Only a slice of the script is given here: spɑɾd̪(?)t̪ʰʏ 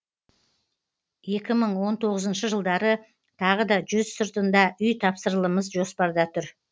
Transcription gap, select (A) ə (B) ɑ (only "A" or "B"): B